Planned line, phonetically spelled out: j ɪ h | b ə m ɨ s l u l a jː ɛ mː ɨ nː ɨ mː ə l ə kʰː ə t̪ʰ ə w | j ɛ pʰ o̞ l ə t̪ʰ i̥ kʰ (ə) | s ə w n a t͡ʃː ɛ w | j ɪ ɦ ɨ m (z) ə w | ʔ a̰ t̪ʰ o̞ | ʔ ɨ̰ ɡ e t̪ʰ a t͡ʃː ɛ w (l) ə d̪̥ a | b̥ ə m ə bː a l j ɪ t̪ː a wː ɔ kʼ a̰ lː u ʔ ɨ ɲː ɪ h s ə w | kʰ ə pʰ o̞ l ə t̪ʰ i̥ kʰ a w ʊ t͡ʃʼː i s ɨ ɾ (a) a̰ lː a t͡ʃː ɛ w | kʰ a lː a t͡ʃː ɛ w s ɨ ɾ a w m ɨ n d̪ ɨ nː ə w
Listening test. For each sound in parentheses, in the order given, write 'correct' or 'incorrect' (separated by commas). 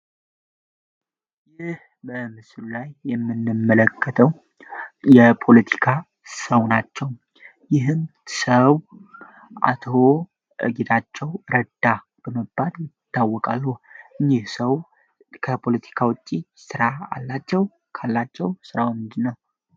incorrect, incorrect, incorrect, correct